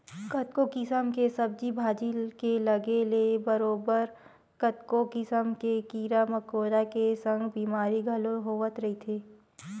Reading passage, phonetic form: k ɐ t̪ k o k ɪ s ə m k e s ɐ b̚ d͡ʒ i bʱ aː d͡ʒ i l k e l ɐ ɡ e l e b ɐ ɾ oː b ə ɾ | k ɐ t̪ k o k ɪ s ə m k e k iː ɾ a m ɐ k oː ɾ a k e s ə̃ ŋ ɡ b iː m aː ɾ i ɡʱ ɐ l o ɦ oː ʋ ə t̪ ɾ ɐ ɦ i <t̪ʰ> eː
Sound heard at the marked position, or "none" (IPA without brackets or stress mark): t̪ʰ